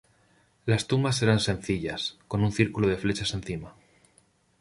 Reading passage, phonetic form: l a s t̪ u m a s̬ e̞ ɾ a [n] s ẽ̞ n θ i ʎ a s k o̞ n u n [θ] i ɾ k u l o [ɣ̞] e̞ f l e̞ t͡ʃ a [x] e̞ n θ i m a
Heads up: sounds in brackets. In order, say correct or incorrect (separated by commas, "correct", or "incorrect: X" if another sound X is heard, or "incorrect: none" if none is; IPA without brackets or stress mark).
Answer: correct, correct, incorrect: ð̞, incorrect: s